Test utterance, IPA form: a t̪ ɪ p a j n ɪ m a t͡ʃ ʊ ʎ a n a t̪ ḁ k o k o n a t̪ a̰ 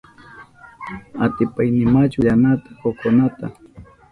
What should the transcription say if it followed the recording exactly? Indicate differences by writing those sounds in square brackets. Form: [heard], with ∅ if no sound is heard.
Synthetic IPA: a t̪ ɪ p a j n ɪ m a t͡ʃ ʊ ʎ a n a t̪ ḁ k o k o n a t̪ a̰